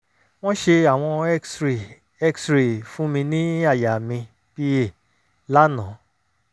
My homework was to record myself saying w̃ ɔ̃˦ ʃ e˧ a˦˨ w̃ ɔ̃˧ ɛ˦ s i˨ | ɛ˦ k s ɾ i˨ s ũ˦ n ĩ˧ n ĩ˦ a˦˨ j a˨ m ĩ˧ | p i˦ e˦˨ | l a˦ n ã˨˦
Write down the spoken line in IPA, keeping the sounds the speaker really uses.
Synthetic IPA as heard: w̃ ɔ̃˦ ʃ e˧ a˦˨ w̃ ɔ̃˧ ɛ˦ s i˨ | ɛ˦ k s ɾ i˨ f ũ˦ m ĩ˧ n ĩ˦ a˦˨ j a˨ m ĩ˧ | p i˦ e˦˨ | l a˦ n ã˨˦